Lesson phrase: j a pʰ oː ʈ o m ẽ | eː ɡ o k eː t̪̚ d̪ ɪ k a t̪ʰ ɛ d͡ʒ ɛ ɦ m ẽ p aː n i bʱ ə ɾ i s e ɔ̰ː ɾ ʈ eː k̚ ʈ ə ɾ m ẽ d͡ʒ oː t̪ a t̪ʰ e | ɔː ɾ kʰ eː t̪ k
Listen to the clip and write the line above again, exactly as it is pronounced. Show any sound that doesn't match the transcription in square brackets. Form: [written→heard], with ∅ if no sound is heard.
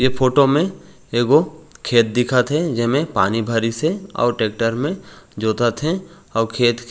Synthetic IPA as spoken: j [a→e] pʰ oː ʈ o m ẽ | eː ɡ o [k→kʰ] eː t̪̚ d̪ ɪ [k→kʰ] a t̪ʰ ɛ d͡ʒ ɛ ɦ m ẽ p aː n i bʱ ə ɾ i s e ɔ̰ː ɾ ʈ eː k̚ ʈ ə ɾ m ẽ d͡ʒ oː t̪ a t̪ʰ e | ɔː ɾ kʰ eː t̪ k